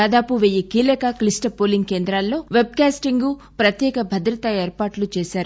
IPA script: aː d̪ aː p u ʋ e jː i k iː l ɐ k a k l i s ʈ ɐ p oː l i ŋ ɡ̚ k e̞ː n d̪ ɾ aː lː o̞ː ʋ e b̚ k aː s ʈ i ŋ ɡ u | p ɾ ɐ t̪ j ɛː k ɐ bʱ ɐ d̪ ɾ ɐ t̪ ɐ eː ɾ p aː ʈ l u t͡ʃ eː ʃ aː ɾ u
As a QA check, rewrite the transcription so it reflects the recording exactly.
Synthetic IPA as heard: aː d̪ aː p u ʋ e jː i k iː l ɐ k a k l i s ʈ ɐ p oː l i ŋ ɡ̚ k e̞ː n d̪ ɾ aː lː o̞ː ʋ e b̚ k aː s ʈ i ŋ ɡ u | p ɾ ɐ t̪ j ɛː k ɐ bʱ ɐ d̪ ɾ ɐ t̪ ɐ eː ɾ p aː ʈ l u t͡ʃ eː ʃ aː ɾ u